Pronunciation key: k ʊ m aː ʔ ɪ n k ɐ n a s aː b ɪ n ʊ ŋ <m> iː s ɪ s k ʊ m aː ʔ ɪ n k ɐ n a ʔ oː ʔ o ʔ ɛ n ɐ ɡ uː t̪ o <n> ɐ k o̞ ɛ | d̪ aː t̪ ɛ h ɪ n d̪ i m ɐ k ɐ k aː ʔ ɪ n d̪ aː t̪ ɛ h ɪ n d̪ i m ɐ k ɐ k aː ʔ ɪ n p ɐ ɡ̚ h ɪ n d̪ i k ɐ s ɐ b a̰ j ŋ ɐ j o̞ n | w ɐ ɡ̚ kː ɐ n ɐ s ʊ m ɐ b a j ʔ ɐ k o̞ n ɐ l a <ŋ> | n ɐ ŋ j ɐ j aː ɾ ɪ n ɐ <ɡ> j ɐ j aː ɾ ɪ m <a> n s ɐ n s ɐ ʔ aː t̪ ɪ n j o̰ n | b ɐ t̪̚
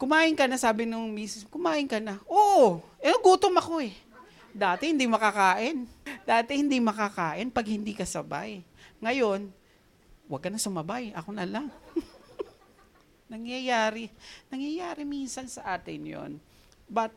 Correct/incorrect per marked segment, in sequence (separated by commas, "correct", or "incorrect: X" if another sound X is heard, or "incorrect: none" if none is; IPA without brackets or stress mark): correct, incorrect: m, correct, incorrect: ŋ, incorrect: i